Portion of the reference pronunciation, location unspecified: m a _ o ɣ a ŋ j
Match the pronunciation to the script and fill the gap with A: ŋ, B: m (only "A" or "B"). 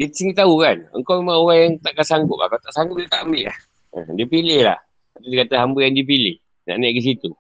A